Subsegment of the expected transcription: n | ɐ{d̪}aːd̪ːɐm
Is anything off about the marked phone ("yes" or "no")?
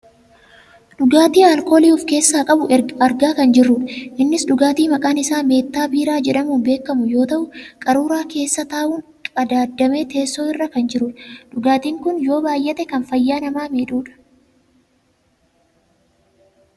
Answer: no